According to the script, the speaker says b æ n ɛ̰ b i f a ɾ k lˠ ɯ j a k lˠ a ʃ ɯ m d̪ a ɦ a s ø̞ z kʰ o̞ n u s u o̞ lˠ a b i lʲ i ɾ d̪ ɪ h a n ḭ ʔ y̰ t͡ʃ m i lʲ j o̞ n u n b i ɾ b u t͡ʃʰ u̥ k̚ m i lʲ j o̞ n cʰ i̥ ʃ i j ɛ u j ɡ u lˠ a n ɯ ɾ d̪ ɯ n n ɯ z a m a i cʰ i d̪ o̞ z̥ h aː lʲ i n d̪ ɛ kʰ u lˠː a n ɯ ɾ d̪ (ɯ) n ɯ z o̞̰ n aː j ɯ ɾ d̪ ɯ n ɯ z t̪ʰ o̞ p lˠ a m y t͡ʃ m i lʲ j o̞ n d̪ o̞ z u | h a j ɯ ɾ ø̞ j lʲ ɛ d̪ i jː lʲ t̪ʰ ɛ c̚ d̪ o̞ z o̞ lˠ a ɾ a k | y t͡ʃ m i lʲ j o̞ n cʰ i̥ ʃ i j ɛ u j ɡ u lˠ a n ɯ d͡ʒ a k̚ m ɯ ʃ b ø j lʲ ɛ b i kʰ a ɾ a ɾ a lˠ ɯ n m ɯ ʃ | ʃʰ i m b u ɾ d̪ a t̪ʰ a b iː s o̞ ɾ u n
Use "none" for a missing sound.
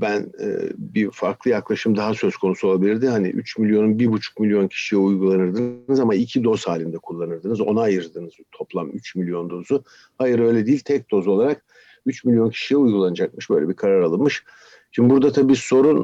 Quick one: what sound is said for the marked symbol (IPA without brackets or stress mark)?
ɯ